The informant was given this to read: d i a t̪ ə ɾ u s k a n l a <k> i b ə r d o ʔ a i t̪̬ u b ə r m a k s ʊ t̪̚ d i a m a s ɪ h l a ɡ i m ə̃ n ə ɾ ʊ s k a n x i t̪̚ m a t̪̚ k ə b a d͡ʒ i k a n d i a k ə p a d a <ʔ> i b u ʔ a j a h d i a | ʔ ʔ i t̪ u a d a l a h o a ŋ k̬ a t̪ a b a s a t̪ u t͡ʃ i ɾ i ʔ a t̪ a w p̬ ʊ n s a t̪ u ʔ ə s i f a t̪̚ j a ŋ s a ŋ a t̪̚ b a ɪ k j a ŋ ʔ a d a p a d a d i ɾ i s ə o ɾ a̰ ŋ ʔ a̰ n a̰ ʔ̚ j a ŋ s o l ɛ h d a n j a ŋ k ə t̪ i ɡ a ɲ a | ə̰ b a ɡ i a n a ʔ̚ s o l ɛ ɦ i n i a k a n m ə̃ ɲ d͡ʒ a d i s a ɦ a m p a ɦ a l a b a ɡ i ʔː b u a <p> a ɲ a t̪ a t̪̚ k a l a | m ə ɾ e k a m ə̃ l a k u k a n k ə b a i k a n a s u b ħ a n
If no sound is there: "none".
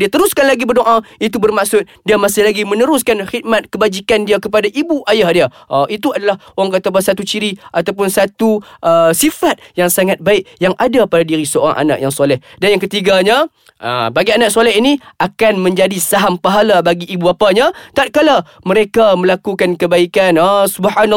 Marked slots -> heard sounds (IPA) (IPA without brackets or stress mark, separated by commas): ɡ, ʔ, p